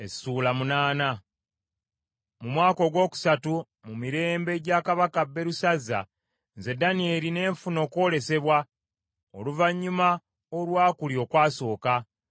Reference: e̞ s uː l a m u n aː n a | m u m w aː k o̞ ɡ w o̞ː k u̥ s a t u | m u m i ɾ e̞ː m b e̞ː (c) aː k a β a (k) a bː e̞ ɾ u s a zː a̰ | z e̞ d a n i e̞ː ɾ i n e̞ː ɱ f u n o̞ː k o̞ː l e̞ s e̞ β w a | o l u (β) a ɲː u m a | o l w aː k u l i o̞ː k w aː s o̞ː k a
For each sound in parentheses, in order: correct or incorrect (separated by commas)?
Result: incorrect, correct, incorrect